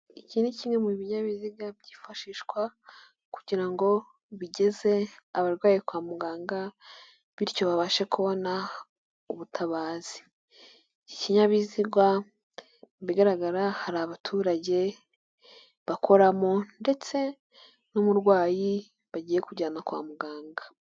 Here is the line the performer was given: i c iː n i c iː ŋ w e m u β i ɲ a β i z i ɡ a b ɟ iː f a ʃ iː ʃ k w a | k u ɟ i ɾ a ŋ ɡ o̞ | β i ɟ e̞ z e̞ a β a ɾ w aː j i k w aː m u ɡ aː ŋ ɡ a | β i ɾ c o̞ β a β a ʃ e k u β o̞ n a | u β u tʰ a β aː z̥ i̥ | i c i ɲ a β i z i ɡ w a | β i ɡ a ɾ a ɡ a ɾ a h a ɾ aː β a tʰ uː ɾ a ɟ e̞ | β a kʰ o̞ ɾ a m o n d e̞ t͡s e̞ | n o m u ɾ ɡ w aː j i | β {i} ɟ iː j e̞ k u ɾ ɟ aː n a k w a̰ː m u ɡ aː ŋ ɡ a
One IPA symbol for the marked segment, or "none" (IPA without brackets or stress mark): a